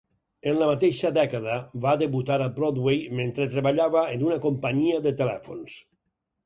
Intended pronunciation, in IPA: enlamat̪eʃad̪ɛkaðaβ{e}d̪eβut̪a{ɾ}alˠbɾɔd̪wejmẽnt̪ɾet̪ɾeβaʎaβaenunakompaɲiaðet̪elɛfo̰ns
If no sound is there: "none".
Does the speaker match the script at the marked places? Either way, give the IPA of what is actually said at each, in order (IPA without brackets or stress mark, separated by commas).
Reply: a, ɾ